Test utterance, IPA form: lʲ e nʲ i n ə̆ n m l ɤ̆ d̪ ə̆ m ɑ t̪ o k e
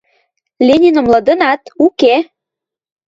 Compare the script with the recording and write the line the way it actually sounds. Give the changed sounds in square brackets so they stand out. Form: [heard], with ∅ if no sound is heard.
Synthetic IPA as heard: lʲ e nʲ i n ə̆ [∅] m l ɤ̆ d̪ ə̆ [n] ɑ t̪ [u] k e